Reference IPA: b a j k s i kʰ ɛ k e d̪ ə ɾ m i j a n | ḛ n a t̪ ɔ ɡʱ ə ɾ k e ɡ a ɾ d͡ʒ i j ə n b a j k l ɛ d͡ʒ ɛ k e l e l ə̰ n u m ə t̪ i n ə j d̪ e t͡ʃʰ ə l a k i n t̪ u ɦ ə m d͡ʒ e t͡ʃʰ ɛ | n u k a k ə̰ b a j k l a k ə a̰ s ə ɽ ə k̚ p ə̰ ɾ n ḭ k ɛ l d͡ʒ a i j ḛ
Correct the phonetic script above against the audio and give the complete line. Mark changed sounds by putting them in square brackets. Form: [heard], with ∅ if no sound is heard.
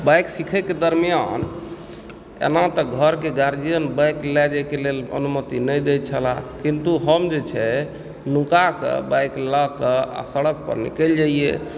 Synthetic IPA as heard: b a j k s i kʰ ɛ k e d̪ ə ɾ m i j a n | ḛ n a t̪ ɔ ɡʱ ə ɾ k e ɡ a ɾ d͡ʒ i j ə n b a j k l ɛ d͡ʒ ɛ k e l e l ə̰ n u m ə t̪ i n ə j d̪ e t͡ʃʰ ə l a k i n t̪ u ɦ ə m d͡ʒ e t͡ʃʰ ɛ | n u k a k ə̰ b a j k l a k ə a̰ s ə ɽ ə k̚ p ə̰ ɾ n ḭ k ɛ l d͡ʒ a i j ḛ